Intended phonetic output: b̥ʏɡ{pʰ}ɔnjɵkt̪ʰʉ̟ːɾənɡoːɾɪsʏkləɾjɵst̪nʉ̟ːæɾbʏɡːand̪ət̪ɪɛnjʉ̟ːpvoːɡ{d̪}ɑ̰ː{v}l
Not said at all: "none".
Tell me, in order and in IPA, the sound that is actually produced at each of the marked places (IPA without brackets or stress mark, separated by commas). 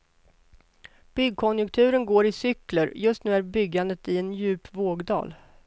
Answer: kʰ, d̪, none